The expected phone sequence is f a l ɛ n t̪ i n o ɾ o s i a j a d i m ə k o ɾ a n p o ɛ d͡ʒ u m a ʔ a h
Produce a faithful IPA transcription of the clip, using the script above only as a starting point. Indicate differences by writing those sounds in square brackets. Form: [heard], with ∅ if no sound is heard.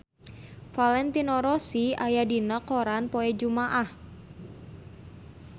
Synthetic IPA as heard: f a l ɛ n t̪ i n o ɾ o s i a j a d i [n] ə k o ɾ a n p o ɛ d͡ʒ u m a ʔ a h